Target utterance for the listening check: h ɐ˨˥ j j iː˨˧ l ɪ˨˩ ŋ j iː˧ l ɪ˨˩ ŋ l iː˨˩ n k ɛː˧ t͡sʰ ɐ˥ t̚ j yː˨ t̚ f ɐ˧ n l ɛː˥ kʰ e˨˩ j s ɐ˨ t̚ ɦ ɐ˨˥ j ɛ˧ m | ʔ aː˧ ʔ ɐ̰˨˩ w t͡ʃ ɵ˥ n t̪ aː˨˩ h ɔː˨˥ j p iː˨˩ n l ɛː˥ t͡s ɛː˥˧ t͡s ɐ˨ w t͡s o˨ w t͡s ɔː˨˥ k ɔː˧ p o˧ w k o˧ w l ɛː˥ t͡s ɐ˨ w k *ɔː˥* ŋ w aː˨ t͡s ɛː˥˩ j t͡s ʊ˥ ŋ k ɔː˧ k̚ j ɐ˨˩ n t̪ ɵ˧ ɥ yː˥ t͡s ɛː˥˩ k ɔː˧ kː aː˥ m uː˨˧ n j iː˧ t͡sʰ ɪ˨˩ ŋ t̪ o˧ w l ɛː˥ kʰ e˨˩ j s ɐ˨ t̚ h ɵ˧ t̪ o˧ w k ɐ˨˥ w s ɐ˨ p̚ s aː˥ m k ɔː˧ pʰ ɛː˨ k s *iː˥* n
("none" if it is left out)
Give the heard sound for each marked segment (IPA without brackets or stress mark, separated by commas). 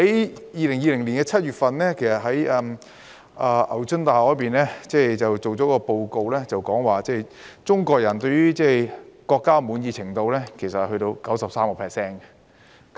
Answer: ɔː˨˥, ɛː˥